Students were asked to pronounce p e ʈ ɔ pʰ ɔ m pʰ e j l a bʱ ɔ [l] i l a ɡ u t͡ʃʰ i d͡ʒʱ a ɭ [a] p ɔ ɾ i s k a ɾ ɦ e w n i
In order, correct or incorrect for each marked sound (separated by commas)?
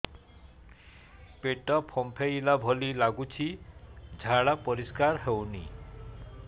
correct, correct